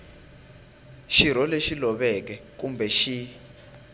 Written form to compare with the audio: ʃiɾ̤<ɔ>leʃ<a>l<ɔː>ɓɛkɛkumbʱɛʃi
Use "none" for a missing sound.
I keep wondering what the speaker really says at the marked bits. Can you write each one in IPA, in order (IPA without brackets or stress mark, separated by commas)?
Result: ɔ, i, ɔ